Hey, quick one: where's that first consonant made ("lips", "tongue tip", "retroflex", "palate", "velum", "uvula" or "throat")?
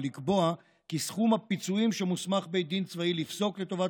tongue tip